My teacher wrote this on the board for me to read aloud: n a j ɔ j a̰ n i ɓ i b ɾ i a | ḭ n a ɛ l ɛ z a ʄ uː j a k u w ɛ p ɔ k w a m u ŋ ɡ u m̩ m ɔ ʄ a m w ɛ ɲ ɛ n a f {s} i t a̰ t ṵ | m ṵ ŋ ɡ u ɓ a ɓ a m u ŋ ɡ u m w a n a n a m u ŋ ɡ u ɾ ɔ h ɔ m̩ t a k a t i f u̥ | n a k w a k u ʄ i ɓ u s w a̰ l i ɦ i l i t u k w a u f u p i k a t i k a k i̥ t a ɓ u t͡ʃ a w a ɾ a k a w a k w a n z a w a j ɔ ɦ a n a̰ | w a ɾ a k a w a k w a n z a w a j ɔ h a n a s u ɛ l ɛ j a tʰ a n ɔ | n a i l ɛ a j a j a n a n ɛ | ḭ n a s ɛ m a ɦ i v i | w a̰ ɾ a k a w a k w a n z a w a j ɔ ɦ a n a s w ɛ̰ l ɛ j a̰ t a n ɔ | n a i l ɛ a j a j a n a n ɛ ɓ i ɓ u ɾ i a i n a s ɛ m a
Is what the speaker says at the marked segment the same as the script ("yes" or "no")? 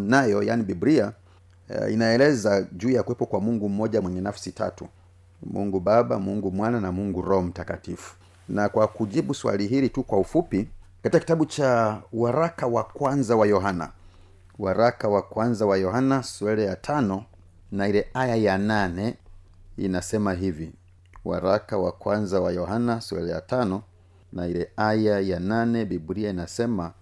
yes